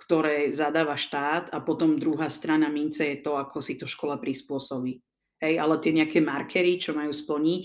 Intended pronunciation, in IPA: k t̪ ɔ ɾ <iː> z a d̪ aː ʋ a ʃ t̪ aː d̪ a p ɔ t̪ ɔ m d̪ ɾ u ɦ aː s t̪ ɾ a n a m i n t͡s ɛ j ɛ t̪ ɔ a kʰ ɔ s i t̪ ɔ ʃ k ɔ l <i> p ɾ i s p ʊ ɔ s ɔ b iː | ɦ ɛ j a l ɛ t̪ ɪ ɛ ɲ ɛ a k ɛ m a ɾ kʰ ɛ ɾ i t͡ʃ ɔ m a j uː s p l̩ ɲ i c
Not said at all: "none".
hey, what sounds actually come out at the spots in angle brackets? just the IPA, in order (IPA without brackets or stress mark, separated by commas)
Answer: ɛː, a